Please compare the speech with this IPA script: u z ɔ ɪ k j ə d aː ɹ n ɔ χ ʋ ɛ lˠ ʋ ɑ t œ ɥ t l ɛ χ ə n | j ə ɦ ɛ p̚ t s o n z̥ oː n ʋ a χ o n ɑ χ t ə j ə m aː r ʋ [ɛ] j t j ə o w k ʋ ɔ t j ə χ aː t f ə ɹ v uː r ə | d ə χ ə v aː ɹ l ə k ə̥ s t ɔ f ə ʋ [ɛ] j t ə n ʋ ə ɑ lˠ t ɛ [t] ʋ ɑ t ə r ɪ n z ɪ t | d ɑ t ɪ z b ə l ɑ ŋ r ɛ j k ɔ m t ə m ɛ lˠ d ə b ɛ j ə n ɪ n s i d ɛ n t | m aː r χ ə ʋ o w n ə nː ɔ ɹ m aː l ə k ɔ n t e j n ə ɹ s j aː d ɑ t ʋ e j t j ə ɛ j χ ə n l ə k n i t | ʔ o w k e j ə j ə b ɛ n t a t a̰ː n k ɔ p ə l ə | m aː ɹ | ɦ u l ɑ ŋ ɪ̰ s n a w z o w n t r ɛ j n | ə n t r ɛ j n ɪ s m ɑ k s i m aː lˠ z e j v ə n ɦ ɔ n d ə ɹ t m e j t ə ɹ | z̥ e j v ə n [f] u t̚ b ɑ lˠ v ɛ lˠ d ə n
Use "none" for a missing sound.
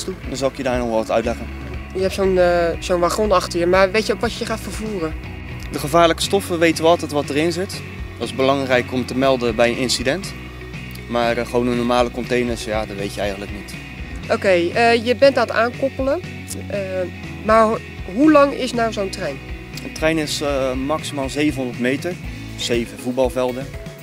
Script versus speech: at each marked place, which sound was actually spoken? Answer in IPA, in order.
e, e, t, v

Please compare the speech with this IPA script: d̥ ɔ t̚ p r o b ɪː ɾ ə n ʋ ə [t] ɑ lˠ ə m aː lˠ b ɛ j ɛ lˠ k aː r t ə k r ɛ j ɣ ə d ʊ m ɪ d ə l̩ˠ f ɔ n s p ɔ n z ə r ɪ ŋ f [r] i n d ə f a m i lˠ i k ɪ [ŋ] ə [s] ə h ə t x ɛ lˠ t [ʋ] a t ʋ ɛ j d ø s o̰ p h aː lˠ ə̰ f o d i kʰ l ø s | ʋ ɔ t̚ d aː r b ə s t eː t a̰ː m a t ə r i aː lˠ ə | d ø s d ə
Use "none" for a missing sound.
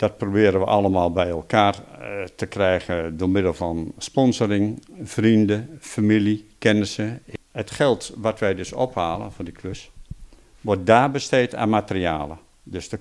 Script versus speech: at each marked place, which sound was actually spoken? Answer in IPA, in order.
ʔ, r, n, s, ʋ

